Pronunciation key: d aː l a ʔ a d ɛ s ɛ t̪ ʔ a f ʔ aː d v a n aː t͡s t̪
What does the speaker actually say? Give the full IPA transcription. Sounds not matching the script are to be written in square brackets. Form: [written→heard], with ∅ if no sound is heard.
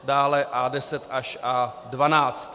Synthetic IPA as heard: d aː l [a→ɛ] ʔ a d ɛ s ɛ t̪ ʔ a [f→ʃ] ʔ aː d v a n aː t͡s t̪

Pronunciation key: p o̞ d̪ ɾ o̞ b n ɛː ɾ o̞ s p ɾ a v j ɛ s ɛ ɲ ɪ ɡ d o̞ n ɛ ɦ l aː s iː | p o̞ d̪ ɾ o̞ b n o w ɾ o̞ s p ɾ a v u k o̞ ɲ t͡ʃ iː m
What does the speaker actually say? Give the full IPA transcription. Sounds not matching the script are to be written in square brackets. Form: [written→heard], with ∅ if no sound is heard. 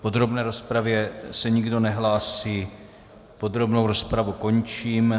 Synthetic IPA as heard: p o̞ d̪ ɾ o̞ b n ɛː ɾ o̞ s p ɾ a v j ɛ s ɛ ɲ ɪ ɡ d o̞ n ɛ ɦ l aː s iː | p o̞ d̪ ɾ o̞ b n o w ɾ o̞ s p ɾ a v u k o̞ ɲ t͡ʃ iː m

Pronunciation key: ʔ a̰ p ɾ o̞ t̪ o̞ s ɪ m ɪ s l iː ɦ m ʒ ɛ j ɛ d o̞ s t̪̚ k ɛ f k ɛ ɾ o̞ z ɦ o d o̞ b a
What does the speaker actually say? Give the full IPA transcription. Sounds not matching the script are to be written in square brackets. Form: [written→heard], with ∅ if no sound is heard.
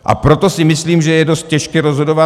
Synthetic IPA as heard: ʔ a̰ p ɾ o̞ t̪ o̞ s ɪ m ɪ s l iː [ɦ→∅] m ʒ ɛ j ɛ d o̞ s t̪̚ [k→c] ɛ [f→ʃ] k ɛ ɾ o̞ z ɦ o d o̞ [b→v] a

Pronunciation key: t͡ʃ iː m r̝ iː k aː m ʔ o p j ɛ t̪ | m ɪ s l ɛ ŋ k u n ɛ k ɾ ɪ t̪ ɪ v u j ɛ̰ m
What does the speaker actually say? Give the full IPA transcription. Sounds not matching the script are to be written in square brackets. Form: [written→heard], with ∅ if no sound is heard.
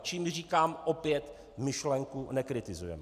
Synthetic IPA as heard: t͡ʃ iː m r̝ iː k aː m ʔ o p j ɛ t̪ | m ɪ [s→ʃ] l ɛ ŋ k u n ɛ k ɾ ɪ t̪ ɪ [v→z] u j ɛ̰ m

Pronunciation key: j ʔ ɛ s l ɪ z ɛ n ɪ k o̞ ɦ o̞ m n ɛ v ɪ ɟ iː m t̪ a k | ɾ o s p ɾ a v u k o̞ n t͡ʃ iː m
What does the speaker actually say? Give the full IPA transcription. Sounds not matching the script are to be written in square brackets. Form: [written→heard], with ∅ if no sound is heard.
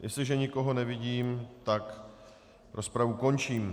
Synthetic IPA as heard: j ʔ ɛ s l ɪ [z→ʒ] ɛ [n→ɲ] ɪ k o̞ ɦ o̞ [m→∅] n ɛ v ɪ ɟ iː m t̪ a k | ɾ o s p ɾ a v u k o̞ n t͡ʃ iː m

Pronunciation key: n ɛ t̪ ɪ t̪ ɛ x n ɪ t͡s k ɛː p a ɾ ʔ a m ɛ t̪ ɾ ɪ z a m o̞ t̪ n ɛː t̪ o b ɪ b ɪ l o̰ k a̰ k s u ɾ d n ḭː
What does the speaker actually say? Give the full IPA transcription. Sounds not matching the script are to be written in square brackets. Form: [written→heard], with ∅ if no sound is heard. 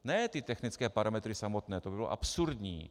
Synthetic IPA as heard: n ɛ t̪ ɪ t̪ ɛ x n ɪ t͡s k ɛː p a ɾ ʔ a m ɛ t̪ ɾ ɪ [z→s] a m o̞ t̪ n ɛː t̪ o b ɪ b ɪ l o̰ [k→ʔ] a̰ [k→p] s u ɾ d [n→ɲ] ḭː

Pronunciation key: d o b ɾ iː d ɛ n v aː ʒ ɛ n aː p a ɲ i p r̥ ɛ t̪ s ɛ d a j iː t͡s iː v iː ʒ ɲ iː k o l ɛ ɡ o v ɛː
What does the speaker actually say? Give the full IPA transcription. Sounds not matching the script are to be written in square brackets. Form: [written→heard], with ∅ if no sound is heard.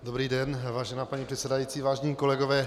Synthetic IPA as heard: d o b ɾ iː d ɛ n v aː ʒ ɛ n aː p a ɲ i p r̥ ɛ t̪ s ɛ d a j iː t͡s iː v [iː→aː] ʒ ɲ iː k o l ɛ ɡ o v ɛː

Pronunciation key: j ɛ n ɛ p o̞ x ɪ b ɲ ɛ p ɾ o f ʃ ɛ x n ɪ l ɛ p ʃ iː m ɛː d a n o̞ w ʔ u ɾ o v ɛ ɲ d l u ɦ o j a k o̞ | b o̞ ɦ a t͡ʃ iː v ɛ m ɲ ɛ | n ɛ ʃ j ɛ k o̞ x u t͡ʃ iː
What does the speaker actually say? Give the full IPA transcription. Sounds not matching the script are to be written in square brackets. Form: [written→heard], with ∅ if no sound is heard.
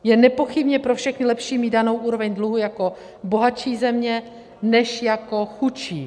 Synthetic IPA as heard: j ɛ n ɛ p o̞ x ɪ b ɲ ɛ p ɾ o f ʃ ɛ x n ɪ l ɛ p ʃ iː m [ɛː→iː] d a n o̞ w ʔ [u→uː] ɾ o v ɛ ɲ d l u ɦ [o→u] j a k o̞ | b o̞ ɦ a t͡ʃ iː [v→z] ɛ m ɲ ɛ | n ɛ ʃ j [ɛ→a] k o̞ x u t͡ʃ iː

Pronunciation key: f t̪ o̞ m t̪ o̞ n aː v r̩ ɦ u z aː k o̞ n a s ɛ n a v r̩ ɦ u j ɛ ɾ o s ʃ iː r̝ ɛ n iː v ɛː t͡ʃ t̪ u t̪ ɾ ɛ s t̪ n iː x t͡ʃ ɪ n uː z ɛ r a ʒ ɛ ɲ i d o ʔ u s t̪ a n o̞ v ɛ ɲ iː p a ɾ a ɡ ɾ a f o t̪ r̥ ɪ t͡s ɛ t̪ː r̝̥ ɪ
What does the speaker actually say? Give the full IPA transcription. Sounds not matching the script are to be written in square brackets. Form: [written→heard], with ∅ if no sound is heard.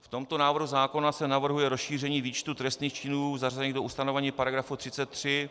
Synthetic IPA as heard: f t̪ o̞ m t̪ o̞ n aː v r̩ ɦ u z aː k o̞ n a s ɛ n a v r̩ ɦ u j ɛ ɾ o s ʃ iː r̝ ɛ [n→ɲ] iː v [ɛː→iː] t͡ʃ t̪ u t̪ ɾ ɛ s t̪ n iː x t͡ʃ ɪ n uː z [ɛ→a] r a [ʒ→z] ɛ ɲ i d o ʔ u s t̪ a n o̞ v ɛ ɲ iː p a ɾ a ɡ ɾ a f [o→u] t̪ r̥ ɪ t͡s ɛ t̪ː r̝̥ ɪ

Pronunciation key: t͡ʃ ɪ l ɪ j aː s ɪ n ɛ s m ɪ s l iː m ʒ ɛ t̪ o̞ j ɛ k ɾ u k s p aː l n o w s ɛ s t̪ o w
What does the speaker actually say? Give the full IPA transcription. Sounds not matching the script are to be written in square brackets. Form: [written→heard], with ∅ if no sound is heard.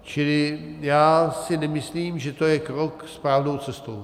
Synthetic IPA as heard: t͡ʃ ɪ l ɪ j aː s ɪ n ɛ [s→∅] m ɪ s l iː m ʒ ɛ t̪ o̞ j ɛ k ɾ [u→o] k s p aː l n o w [s→t͡s] ɛ s t̪ o w

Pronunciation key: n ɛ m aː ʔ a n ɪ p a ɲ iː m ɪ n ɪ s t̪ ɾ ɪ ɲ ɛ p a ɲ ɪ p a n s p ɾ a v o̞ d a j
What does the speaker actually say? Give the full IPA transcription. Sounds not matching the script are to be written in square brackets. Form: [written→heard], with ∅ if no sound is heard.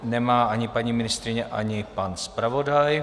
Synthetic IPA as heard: n ɛ m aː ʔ a [n→ɲ] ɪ p a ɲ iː m ɪ n ɪ s t̪ ɾ ɪ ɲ ɛ [p→ʔ] a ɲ ɪ p a n s p ɾ a v o̞ d a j

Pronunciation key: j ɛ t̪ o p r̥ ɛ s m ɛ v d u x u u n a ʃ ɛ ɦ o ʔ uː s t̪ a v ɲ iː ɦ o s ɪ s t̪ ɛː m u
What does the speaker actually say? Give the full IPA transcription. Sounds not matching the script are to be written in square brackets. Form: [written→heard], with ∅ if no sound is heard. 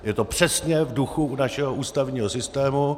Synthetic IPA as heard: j ɛ t̪ o p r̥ ɛ s [m→ɲ] ɛ v d u x u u n a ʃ ɛ ɦ o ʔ uː s t̪ a v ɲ iː ɦ o s ɪ s t̪ ɛː m u

